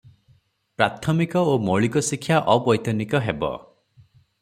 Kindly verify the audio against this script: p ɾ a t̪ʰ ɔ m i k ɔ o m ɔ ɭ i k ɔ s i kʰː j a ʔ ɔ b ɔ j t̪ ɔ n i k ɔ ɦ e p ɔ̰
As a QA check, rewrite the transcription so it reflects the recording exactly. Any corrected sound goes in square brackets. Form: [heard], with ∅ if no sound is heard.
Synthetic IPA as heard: p ɾ a t̪ʰ ɔ m i k ɔ o m ɔ ɭ i k ɔ s i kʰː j a ʔ ɔ b ɔ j t̪ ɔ n i k ɔ ɦ e [b] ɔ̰